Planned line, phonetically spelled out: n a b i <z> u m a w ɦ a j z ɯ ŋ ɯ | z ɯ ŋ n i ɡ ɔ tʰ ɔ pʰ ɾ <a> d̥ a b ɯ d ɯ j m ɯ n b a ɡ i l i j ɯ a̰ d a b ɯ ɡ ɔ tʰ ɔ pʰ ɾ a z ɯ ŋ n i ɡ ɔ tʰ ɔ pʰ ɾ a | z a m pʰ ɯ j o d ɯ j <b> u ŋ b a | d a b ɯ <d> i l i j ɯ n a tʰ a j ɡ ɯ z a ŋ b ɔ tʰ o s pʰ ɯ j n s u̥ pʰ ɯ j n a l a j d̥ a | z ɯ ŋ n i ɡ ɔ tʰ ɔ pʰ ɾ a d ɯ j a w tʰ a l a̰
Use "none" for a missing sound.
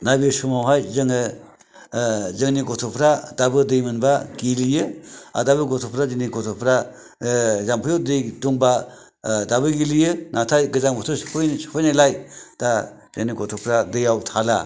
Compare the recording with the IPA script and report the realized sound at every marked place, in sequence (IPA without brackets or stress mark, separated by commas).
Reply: s, a, d, ɡ